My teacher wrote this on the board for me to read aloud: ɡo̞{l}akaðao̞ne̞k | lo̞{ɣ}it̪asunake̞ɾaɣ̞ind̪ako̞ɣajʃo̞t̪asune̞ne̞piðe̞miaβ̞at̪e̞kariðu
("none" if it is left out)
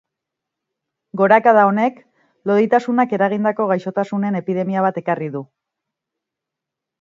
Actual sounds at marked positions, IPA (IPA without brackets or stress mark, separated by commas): ɾ, ð